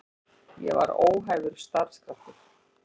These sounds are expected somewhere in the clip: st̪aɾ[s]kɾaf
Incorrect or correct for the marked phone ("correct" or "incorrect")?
correct